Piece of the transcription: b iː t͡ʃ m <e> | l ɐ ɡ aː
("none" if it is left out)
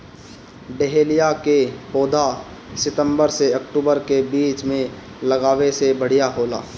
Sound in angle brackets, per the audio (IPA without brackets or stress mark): ẽ